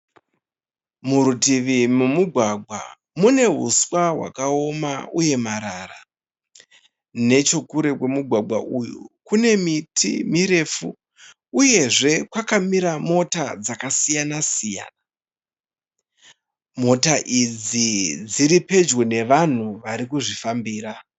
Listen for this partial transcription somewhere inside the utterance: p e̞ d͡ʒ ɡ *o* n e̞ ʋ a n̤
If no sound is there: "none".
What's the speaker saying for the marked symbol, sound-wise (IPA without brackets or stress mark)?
o